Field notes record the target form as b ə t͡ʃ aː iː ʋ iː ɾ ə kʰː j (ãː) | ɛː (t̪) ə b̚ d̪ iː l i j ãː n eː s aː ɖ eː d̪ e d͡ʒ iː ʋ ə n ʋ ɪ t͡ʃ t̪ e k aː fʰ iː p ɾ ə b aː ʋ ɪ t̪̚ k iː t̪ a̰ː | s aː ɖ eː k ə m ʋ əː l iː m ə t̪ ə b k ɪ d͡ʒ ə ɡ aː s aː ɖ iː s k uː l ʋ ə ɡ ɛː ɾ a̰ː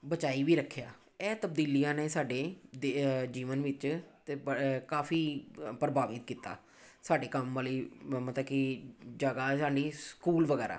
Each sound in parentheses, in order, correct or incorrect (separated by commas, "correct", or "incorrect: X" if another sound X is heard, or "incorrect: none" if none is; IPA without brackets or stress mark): incorrect: aː, correct